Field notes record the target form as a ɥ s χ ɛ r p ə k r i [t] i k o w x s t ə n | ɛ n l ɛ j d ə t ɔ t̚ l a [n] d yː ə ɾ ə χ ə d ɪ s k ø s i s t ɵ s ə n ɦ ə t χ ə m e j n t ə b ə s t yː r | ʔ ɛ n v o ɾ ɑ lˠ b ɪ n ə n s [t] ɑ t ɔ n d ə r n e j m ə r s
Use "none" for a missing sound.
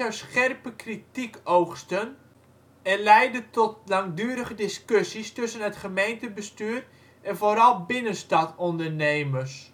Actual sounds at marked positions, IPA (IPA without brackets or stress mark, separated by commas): t, ŋ, t